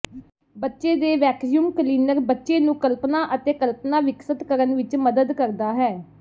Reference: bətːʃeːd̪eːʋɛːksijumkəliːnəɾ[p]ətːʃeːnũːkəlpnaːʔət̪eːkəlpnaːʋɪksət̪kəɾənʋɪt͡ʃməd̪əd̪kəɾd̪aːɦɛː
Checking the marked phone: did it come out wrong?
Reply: yes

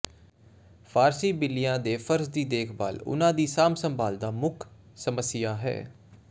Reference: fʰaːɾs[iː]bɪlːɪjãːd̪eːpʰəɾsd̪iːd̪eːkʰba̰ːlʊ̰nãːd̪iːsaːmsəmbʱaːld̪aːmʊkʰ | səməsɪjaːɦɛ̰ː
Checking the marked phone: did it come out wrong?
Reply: no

